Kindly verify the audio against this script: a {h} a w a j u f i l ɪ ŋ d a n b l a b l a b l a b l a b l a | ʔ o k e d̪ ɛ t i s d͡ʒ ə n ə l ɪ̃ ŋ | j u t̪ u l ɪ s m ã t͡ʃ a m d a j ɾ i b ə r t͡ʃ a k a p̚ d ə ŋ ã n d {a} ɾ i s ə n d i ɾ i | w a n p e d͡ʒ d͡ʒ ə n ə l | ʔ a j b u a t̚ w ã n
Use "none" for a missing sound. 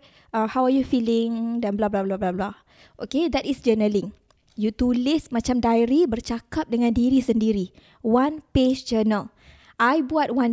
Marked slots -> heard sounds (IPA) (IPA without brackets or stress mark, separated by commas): h, i